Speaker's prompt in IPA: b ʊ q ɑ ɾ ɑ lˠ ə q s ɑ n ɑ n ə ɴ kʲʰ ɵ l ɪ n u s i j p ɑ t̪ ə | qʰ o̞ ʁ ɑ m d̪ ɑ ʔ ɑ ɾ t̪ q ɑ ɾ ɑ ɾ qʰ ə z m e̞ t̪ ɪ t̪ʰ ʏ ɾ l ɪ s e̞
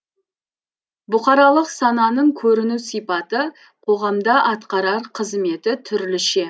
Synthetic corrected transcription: b ʊ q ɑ ɾ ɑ lˠ ə q s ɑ n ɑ n ə ɴ kʲʰ ɵ ɾ ɪ n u s i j p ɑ t̪ ə | qʰ o̞ ʁ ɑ m d̪ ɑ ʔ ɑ t̪ q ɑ ɾ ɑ ɾ qʰ ə z m e̞ t̪ ɪ t̪ʰ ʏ ɾ l ɪ ʃ e̞